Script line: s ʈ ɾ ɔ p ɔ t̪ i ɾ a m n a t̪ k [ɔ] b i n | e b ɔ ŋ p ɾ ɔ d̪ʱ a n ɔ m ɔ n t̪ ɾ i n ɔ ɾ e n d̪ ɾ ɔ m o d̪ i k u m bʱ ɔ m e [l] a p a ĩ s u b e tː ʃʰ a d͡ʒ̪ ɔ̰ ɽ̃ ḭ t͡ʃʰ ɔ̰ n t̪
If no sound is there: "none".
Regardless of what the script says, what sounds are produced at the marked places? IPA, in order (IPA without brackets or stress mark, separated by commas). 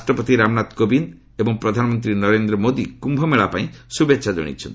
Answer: o, ɭ